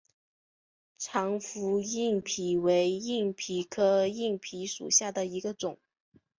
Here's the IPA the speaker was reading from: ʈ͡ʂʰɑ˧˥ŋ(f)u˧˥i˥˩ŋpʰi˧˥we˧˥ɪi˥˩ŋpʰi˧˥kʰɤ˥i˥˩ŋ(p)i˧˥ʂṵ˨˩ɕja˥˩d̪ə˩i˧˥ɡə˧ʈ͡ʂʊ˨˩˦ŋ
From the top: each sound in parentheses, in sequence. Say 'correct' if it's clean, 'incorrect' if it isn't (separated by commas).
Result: correct, incorrect